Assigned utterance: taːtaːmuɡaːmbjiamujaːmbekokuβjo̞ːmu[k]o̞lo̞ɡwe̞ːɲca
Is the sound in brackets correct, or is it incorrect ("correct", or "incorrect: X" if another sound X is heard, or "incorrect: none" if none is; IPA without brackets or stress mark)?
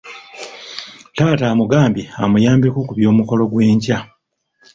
correct